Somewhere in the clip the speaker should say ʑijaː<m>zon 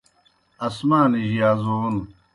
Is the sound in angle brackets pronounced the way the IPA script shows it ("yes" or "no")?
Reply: no